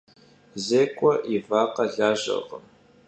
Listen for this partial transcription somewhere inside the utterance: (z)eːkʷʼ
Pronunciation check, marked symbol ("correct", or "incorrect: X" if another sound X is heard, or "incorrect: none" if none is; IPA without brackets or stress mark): correct